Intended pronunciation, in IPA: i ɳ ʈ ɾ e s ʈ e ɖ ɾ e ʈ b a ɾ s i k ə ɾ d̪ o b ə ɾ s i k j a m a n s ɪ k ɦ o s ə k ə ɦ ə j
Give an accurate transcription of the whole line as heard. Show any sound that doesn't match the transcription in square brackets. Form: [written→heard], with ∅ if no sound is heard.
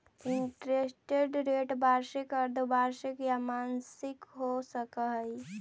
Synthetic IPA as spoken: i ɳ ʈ ɾ e s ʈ e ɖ ɾ e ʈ b a ɾ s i k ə ɾ d̪ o b [ə→a] ɾ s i k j a m a n s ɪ k ɦ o s ə k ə ɦ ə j